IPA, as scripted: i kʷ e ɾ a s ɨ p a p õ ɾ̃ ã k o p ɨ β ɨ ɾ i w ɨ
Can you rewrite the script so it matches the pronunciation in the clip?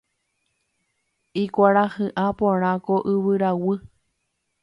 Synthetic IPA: i kʷ a ɾ a h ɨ ʔ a p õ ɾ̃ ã k o ʔ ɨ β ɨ ɾ a w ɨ